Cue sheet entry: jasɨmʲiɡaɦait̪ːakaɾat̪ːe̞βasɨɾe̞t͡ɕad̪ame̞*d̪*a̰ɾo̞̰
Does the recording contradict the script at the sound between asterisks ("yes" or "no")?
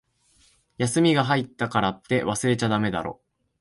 no